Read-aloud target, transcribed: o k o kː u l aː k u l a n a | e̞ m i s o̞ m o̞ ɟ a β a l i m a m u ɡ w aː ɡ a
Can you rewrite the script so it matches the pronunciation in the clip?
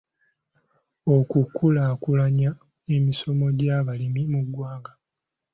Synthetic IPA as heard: o k u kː u l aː k u l a ɲ a | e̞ m i s o̞ m o̞ ɟ a β a l i m i m u ɡ w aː ɡ a